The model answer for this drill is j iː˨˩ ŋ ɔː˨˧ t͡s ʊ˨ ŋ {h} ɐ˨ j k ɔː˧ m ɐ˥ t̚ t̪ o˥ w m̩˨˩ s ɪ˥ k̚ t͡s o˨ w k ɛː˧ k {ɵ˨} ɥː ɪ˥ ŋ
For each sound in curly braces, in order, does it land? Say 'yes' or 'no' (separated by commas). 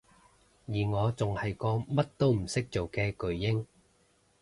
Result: yes, yes